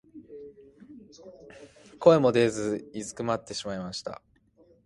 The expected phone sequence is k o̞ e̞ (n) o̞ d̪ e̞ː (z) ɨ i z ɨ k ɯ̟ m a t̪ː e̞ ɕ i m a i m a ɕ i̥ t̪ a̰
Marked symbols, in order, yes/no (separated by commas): no, yes